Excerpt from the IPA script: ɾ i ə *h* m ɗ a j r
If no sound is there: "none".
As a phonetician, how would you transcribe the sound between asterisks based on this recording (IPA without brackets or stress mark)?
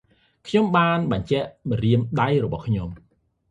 none